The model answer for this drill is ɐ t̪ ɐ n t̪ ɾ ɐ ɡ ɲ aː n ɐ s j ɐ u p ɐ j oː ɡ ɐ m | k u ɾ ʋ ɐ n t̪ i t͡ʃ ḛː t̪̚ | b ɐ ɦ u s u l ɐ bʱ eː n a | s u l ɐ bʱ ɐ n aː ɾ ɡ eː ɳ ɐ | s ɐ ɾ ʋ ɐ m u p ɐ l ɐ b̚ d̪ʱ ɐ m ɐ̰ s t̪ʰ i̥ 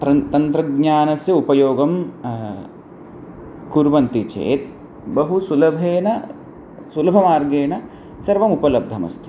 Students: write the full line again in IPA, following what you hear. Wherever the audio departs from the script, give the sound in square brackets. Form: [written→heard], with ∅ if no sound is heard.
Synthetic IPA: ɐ t̪ ɐ n t̪ ɾ ɐ ɡ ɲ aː n ɐ s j ɐ u p ɐ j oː ɡ ɐ m | k u ɾ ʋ ɐ n t̪ i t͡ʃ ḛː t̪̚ | b ɐ ɦ u s u l ɐ bʱ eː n [a→ɐ] | s u l ɐ bʱ ɐ [n→m] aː ɾ ɡ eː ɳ ɐ | s ɐ ɾ ʋ ɐ m u p ɐ l ɐ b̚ d̪ʱ ɐ m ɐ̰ s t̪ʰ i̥